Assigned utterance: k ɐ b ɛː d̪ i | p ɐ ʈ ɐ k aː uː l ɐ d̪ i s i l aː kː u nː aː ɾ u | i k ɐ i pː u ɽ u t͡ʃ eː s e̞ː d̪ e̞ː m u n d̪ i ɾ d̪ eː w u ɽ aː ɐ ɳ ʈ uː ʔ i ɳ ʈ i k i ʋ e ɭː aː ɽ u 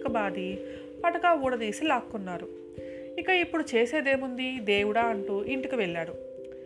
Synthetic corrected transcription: k ɐ b aː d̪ i | p ɐ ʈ ɐ k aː uː ɽ ɐ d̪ iː s i l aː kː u nː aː ɾ u | i k ɐ i pː u ɽ u t͡ʃ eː s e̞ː d̪ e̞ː m u n d̪ i d̪ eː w u ɽ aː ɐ ɳ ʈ uː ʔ i ɳ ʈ i k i ʋ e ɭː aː ɽ u